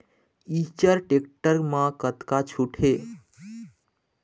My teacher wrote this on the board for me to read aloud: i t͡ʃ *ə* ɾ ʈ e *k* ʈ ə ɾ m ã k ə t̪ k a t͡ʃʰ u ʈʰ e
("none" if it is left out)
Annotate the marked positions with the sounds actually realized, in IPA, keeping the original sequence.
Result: ə, k

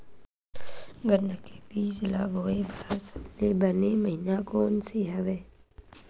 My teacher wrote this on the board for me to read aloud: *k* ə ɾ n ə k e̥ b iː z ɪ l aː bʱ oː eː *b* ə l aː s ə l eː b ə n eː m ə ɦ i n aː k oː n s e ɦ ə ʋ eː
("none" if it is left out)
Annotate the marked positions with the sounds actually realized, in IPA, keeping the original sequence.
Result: ɡ, b

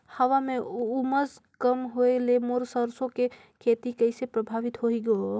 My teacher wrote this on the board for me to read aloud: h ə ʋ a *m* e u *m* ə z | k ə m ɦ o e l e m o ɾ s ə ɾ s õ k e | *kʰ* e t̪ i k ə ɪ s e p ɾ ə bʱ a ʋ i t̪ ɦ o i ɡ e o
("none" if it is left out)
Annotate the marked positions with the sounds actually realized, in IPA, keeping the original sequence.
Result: m, m, kʰ

